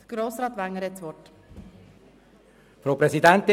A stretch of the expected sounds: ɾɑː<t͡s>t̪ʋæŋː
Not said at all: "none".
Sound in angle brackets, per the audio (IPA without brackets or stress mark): none